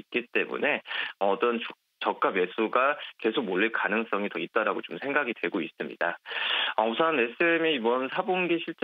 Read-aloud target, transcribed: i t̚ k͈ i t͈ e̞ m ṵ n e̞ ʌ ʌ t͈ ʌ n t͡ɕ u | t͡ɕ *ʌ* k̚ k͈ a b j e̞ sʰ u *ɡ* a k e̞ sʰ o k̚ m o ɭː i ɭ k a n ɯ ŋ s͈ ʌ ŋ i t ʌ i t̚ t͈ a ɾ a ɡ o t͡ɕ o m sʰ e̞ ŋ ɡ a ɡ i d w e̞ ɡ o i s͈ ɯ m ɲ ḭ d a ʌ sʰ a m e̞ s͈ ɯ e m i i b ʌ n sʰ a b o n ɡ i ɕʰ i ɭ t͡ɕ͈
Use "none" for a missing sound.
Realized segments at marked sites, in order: ʌ, ɡ

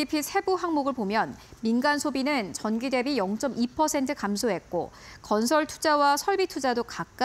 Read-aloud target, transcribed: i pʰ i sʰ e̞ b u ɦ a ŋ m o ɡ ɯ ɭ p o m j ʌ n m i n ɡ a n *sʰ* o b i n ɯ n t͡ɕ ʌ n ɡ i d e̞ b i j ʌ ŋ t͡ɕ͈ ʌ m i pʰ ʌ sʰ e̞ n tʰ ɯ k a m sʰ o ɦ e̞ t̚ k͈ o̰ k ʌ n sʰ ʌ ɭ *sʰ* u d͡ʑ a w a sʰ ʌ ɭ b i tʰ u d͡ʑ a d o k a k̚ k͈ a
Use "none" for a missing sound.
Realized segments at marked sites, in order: sʰ, tʰ

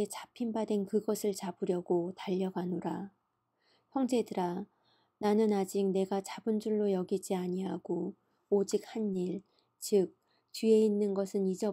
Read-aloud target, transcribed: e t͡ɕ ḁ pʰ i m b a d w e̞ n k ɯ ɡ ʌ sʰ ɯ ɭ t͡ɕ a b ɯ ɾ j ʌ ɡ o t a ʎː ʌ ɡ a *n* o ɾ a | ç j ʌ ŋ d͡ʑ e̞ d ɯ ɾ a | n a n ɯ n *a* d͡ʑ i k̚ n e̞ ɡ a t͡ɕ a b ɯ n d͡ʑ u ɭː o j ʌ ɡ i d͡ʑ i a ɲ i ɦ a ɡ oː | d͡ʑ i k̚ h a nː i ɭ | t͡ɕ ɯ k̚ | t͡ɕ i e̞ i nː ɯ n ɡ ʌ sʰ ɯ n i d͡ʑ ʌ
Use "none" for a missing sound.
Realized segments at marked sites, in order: n, a

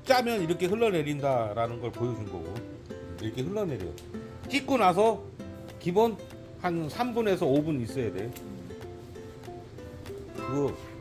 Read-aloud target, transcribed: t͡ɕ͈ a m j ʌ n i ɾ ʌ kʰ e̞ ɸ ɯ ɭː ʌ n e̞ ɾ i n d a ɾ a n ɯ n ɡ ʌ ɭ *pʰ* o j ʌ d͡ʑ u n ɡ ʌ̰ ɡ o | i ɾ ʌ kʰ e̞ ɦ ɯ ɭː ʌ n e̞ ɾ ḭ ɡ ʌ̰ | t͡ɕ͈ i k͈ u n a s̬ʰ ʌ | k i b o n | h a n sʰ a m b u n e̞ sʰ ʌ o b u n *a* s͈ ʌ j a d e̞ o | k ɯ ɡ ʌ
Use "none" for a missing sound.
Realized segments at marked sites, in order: p, i

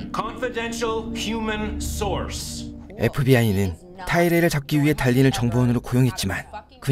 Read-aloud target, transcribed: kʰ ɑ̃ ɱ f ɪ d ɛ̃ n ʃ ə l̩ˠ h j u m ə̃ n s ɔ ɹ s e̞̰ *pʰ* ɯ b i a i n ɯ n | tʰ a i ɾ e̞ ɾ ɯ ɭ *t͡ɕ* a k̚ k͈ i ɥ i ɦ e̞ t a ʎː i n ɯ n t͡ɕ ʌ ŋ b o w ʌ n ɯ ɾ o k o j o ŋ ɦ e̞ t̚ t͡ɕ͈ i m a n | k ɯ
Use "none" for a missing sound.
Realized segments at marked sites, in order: pʰ, t͡ɕ

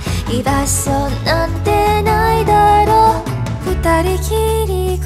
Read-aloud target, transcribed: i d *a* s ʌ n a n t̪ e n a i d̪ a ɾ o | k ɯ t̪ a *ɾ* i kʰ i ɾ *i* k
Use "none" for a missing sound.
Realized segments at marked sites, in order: a, ɾ, i

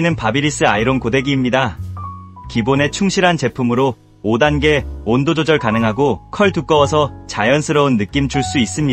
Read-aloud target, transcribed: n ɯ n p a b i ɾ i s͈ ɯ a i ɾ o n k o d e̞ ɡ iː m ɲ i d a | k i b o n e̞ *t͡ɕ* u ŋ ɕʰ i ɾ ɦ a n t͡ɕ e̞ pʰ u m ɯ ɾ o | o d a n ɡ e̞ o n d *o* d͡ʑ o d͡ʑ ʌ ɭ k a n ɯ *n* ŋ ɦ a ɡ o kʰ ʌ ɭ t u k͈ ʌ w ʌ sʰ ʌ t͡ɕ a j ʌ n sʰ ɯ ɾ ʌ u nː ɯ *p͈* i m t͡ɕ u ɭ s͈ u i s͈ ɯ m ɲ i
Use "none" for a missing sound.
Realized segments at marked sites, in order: t͡ɕʰ, o, none, k͈

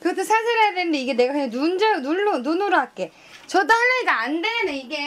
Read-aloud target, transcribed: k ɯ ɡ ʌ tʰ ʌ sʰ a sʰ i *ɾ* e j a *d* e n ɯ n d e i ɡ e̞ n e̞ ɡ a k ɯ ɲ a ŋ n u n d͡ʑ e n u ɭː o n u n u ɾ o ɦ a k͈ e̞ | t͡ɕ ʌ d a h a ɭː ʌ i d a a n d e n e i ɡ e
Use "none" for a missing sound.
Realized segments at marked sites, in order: ɾ, d

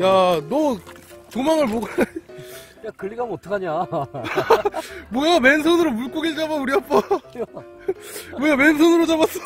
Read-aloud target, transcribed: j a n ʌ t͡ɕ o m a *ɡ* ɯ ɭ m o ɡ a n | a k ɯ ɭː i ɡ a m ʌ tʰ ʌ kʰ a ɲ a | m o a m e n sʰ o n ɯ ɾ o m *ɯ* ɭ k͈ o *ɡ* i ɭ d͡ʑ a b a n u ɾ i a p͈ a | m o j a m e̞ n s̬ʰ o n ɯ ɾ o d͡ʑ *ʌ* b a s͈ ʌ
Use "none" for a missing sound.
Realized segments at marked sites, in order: ŋ, u, ɡ, a

